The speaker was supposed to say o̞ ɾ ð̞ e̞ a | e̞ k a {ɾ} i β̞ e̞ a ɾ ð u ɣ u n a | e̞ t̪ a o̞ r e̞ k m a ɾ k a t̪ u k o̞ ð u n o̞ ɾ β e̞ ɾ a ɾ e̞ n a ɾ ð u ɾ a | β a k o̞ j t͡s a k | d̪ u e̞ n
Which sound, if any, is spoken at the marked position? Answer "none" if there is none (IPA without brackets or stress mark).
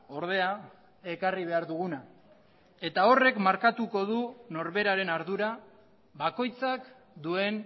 r